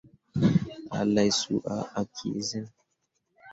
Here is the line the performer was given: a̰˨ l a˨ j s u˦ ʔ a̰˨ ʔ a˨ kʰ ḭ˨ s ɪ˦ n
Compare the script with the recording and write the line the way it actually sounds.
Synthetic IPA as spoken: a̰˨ l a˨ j s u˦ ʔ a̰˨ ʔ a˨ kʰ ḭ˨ z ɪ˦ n